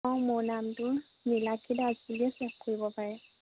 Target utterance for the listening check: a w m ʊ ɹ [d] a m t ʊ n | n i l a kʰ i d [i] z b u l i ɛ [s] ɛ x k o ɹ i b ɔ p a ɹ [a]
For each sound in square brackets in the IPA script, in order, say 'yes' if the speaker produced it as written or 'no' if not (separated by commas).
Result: no, no, yes, no